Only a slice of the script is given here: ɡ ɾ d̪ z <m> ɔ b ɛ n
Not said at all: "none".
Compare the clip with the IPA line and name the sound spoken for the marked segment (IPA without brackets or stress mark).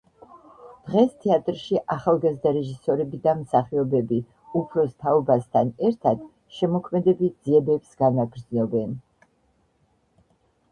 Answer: n